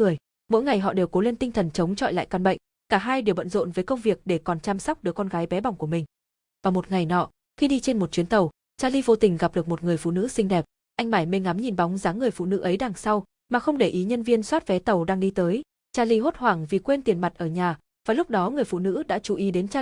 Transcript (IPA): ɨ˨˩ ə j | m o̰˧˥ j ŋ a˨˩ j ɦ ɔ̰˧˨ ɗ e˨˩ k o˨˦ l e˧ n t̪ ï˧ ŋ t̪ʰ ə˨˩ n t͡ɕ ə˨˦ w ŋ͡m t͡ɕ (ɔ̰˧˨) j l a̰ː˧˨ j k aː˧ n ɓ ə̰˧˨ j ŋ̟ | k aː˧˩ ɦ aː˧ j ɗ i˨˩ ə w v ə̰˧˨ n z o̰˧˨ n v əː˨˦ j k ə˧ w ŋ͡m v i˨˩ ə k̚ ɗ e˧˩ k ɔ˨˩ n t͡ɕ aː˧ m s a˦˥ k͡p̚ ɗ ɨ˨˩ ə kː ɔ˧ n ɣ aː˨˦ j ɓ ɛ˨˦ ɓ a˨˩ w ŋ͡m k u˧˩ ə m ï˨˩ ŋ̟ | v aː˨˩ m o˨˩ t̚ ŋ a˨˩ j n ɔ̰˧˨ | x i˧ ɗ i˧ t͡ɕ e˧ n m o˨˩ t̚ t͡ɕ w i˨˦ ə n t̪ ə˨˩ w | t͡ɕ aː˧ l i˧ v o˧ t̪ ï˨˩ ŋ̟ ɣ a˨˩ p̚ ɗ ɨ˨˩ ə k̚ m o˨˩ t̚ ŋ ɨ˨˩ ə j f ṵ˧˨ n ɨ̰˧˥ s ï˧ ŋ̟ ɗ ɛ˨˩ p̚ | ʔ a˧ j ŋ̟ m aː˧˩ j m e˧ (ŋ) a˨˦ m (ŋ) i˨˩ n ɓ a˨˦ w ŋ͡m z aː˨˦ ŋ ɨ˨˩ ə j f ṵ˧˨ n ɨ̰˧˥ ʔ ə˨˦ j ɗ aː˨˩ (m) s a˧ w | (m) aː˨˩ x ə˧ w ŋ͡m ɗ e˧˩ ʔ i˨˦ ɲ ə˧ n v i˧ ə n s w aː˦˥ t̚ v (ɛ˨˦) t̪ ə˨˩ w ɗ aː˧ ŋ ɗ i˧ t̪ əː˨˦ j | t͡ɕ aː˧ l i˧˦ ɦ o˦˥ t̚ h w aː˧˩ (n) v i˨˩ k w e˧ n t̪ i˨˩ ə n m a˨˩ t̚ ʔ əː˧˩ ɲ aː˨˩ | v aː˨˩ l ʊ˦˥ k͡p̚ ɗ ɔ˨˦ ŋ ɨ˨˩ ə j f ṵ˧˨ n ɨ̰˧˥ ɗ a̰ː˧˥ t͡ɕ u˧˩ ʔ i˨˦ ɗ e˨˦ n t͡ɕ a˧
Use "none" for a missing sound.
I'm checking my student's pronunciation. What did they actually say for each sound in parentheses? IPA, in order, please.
ɔ̰˧˨, ŋ, ɲ, ŋ, m, ɛ˨˦, ŋ

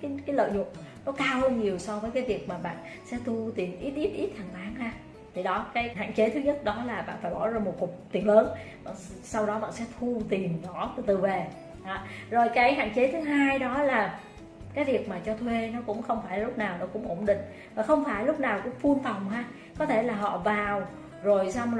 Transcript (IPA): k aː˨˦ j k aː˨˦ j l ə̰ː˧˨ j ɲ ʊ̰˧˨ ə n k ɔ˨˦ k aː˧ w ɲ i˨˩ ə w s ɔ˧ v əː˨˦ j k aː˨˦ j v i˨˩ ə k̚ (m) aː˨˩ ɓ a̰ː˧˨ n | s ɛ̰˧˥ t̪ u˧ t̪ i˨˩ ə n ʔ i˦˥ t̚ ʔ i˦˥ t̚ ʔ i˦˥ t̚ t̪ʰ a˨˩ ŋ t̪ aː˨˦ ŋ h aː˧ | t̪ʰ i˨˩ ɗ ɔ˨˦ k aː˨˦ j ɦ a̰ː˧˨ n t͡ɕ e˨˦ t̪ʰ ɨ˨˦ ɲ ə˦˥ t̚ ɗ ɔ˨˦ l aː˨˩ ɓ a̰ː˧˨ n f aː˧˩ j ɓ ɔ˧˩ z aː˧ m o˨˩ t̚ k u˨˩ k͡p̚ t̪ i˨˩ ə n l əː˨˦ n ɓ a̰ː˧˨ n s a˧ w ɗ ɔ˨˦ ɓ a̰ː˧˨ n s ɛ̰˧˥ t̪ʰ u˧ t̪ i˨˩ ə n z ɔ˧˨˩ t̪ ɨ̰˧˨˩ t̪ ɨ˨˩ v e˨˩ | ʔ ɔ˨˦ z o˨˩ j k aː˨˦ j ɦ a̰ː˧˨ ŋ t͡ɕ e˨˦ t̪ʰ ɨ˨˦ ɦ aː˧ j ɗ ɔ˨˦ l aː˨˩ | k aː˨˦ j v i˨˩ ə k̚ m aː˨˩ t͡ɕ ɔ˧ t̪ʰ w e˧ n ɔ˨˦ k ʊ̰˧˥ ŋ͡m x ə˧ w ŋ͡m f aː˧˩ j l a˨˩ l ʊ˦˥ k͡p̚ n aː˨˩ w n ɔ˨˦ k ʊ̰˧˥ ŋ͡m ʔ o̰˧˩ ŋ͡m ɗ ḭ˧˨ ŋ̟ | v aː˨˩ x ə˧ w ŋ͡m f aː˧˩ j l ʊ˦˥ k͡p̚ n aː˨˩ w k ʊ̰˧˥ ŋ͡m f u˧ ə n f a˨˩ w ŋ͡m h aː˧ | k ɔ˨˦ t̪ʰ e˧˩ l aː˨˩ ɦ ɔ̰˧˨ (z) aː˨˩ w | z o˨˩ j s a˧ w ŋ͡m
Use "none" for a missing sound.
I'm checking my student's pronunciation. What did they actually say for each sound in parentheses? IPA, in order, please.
m, v

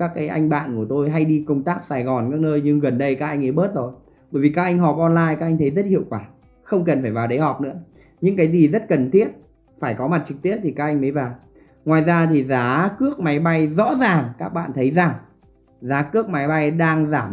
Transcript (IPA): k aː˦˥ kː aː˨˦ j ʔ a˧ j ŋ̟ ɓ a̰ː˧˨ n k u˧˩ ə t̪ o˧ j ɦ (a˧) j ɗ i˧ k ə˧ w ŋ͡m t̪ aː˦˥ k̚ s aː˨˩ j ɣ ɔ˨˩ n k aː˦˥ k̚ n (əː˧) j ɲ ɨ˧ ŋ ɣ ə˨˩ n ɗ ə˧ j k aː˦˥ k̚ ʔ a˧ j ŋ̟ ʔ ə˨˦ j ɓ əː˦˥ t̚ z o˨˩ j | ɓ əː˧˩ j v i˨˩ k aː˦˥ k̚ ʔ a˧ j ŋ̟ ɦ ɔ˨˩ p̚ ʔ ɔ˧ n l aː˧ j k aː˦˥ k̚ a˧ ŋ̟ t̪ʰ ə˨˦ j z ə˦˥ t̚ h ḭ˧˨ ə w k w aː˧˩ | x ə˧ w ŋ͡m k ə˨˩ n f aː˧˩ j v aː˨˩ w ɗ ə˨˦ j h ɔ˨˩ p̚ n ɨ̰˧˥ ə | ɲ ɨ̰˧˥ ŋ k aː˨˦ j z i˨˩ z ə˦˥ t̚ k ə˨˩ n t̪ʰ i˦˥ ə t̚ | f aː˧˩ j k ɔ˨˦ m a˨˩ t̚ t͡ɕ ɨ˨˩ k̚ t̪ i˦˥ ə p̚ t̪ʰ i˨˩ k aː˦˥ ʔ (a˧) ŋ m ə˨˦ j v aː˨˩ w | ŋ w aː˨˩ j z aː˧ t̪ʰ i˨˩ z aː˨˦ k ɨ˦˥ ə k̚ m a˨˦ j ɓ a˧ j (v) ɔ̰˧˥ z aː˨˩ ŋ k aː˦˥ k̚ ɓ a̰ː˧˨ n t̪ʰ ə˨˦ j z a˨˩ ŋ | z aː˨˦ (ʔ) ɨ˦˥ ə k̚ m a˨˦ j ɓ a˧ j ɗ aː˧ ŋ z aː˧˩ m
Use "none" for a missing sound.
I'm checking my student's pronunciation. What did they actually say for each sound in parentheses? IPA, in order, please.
a˧, əː˧, a˧, z, k

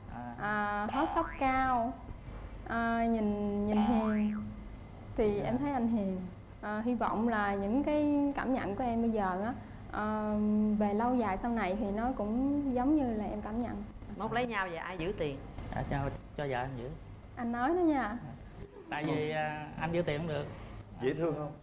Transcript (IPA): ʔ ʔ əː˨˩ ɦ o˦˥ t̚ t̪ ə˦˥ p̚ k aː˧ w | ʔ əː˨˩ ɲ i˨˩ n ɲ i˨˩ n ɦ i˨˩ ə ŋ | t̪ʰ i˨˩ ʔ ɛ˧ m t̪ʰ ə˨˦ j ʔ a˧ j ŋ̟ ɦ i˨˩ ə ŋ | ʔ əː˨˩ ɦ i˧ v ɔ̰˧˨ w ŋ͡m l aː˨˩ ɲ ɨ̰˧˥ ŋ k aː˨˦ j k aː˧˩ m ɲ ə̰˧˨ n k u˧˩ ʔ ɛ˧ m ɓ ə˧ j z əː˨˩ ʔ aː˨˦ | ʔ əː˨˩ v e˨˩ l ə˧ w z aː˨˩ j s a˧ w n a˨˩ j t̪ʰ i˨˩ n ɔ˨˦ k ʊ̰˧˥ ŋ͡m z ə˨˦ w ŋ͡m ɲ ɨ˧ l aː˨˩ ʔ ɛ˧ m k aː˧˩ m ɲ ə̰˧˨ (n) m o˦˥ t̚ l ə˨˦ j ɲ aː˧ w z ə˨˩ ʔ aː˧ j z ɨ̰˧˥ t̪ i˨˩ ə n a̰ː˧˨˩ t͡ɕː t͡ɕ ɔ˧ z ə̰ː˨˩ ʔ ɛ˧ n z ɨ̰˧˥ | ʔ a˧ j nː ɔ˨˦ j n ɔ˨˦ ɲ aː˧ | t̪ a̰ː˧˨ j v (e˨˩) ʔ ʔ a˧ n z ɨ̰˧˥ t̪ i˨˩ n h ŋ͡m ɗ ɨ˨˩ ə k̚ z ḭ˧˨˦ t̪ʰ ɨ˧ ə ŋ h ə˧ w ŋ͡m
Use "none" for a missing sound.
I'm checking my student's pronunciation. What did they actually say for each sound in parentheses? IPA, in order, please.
n, i˨˩

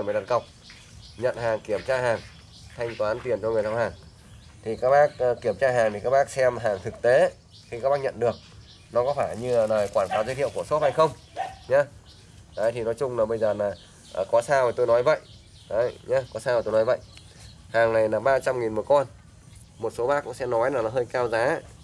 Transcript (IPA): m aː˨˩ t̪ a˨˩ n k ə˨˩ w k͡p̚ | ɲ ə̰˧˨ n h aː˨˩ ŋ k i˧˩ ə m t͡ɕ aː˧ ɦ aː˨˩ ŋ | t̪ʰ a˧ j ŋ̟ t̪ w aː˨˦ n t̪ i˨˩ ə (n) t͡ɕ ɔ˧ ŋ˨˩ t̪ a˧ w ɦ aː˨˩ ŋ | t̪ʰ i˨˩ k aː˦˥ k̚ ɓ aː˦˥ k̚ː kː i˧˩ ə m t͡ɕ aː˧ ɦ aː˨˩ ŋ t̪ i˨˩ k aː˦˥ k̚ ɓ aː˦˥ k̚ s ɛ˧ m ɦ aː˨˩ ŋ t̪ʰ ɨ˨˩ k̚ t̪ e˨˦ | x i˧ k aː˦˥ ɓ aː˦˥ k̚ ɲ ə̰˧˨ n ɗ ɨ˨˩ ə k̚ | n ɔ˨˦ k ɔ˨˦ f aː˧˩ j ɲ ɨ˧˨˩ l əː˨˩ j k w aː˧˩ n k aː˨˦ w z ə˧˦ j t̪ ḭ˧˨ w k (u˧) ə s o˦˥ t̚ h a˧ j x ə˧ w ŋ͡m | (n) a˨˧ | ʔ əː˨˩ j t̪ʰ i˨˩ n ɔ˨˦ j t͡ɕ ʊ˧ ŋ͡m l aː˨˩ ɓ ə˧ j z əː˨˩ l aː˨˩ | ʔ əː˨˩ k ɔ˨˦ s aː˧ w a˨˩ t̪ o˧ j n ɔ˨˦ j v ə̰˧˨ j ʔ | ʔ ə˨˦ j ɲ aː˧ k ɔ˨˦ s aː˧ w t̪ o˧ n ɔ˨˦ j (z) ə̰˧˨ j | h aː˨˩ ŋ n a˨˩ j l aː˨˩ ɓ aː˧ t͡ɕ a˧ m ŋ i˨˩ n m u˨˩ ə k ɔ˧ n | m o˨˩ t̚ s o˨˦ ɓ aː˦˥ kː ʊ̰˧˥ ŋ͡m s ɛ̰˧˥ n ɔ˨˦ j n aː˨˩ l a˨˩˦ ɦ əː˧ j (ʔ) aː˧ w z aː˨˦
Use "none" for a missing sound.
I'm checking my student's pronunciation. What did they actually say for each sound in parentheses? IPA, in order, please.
n, u˧˩, ɲ, v, k

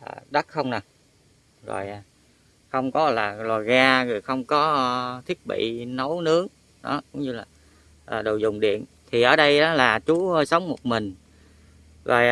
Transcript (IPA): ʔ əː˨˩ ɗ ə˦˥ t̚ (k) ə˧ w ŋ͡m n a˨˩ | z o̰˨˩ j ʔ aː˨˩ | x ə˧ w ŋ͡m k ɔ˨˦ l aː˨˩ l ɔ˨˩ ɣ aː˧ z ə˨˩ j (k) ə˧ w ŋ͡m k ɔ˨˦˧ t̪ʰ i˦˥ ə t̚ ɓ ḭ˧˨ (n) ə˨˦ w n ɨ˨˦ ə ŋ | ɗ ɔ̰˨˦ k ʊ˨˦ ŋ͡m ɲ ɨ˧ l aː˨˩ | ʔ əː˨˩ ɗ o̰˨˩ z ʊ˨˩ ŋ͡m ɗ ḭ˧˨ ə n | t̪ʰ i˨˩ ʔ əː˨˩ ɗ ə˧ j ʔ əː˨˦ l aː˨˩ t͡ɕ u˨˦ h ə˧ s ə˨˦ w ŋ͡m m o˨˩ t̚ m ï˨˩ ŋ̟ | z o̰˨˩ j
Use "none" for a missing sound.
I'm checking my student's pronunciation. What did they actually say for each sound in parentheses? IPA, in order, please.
x, x, n

